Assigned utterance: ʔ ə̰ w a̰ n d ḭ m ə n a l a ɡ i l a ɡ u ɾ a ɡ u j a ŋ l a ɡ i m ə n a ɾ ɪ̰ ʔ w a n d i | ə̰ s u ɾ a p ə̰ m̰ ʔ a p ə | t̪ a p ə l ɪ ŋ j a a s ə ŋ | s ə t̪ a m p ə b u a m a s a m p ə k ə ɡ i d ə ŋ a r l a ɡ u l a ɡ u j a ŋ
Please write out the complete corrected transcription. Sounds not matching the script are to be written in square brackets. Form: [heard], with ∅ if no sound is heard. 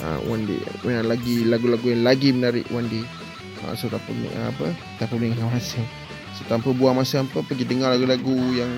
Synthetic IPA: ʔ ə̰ w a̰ n d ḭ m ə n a l a ɡ i l a ɡ u [l] a ɡ u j a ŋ l a ɡ i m ə n a ɾ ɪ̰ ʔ w a n d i | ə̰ s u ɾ a p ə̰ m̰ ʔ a p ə | t̪ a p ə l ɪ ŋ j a a s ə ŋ | s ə t̪ a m p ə b u a m a s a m p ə [p] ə ɡ i d ə ŋ a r l a ɡ u l a ɡ u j a ŋ